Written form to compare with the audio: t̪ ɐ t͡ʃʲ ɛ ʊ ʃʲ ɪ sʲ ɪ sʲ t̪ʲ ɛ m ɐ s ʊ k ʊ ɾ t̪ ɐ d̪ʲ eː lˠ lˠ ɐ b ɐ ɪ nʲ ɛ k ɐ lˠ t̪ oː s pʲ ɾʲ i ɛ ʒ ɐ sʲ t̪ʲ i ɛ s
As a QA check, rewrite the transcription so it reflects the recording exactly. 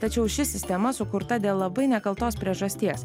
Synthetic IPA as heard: t̪ ɐ t͡ʃʲ ɛ ʊ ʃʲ ɪ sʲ ɪ sʲ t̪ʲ ɛ m ɐ s ʊ k ʊ ɾ t̪ ɐ d̪ʲ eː lˠ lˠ ɐ b ɐ ɪ nʲ ɛ k ɐ lˠ t̪ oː s pʲ ɾʲ i ɛ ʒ ɐ sʲ t̪ʲ i ɛ s